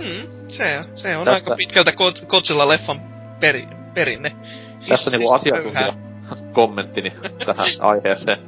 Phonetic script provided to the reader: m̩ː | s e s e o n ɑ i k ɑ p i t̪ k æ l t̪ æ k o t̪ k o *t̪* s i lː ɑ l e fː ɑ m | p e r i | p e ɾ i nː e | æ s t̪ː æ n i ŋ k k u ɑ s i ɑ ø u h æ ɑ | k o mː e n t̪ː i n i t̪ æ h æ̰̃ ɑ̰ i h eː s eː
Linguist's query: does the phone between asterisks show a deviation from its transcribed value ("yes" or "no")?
no